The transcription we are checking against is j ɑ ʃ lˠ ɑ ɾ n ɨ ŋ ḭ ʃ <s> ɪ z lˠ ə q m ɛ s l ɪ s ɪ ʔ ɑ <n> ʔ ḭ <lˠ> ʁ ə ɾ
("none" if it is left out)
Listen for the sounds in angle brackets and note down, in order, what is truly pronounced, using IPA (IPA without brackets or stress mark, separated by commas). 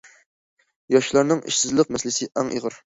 s, ŋ, none